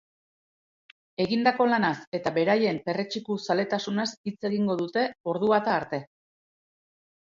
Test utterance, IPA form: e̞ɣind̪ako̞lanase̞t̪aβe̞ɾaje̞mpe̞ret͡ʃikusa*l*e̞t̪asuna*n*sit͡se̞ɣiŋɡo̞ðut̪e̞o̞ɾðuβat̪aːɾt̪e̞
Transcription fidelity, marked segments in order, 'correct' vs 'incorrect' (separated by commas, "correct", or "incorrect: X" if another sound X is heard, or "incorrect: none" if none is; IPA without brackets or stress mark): correct, incorrect: none